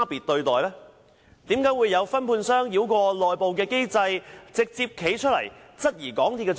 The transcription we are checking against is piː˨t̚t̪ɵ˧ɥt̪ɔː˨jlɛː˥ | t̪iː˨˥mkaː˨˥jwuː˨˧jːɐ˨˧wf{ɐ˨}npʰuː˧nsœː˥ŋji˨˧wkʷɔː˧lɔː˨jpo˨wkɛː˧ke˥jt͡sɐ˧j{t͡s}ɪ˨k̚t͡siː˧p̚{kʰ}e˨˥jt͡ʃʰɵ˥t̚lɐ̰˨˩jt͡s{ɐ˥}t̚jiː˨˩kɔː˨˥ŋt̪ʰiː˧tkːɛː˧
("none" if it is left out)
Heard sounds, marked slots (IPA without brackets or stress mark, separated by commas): ɐ˥, t͡s, kʰ, ɐ˥